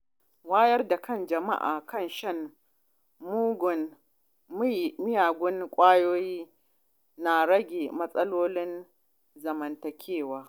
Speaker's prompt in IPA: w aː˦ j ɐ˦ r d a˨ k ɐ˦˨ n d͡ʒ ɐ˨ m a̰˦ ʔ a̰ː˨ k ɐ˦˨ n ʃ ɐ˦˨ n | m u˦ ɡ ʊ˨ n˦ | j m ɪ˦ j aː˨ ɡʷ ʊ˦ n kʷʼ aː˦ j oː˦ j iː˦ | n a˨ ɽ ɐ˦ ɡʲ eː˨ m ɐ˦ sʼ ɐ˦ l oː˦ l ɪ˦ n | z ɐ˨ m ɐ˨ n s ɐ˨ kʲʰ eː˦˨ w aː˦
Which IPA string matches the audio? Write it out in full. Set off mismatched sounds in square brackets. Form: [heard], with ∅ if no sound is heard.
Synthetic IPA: w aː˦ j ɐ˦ r d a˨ k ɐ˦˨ n d͡ʒ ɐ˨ m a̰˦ ʔ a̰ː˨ k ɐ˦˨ n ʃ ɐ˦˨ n | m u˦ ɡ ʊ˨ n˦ | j m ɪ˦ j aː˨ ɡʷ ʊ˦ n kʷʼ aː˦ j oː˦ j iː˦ | n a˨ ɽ ɐ˦ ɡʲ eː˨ m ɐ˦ sʼ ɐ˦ l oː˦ l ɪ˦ n | z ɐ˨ m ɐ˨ n [t] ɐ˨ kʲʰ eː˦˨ w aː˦